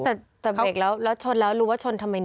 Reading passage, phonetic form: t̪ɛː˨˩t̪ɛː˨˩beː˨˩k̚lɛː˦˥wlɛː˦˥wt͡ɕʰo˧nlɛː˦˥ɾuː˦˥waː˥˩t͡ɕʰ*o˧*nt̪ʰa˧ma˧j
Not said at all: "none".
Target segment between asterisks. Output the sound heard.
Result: o˧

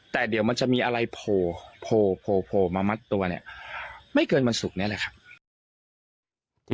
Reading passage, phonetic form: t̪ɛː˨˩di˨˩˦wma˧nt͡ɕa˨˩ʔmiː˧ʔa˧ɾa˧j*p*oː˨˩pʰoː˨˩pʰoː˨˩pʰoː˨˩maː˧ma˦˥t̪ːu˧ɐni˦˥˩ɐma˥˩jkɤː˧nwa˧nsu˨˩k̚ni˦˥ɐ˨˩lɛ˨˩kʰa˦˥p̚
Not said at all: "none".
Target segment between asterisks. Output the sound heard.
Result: pʰ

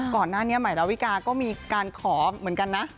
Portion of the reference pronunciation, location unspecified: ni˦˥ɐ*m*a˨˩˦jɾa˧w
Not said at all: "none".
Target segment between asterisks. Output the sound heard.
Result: m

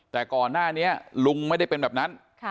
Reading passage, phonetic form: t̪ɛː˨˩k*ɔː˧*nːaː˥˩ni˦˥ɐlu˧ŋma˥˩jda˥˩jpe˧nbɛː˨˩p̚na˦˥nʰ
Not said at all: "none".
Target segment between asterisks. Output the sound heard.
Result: ɔː˨˩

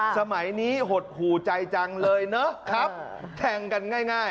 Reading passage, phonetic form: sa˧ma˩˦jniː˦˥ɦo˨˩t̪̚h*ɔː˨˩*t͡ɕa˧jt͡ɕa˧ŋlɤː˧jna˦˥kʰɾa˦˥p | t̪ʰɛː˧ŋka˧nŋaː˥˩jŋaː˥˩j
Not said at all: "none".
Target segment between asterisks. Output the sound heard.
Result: uː˨˩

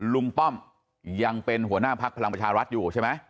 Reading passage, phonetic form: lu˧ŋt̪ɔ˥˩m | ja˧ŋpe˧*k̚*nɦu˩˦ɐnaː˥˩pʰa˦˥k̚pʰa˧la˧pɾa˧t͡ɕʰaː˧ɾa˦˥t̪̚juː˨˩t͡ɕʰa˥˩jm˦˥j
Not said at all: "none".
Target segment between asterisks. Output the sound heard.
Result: none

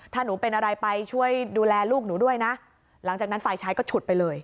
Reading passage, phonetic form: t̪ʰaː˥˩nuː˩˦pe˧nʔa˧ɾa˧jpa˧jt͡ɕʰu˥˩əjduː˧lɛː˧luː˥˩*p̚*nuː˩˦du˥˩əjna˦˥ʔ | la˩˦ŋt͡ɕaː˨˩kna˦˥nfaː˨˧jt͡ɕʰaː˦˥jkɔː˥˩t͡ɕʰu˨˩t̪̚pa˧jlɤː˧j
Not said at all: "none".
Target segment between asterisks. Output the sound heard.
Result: k̚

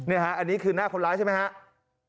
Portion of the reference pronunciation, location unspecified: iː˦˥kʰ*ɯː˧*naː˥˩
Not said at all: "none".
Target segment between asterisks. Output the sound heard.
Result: ɯː˧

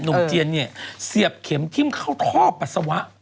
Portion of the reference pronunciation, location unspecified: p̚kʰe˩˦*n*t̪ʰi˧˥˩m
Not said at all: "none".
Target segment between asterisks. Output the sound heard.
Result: m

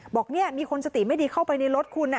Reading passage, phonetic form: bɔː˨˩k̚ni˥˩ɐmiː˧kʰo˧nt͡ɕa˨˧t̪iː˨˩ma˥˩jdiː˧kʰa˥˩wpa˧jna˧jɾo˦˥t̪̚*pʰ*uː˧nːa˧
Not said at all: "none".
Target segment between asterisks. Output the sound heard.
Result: kʰ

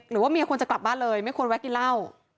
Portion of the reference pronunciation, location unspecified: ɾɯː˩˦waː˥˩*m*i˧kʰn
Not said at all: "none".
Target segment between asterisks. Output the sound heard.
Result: m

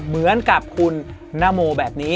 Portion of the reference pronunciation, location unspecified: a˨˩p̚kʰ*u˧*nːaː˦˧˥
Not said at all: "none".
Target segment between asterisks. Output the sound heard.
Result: u˧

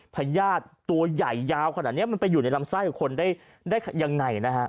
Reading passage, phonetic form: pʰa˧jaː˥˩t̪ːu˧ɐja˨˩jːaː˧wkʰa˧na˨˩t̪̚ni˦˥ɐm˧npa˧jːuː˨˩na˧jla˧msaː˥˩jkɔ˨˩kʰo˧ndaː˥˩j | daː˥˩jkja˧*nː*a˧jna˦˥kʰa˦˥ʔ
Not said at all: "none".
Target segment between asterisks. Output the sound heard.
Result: ŋː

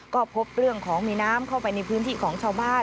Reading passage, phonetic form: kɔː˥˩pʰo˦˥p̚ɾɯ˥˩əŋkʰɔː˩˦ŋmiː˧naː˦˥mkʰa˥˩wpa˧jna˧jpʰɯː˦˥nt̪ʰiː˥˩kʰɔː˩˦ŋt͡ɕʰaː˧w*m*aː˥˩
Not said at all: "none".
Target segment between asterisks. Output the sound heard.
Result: b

